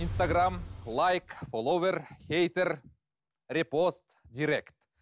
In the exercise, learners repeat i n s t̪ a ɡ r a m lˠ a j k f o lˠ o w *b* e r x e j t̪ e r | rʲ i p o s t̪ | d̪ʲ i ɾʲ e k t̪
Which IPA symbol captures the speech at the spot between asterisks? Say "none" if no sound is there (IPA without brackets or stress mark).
v